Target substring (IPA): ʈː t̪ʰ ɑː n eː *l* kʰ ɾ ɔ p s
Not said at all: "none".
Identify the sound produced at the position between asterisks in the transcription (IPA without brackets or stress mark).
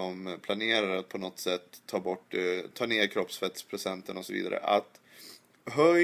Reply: ɾ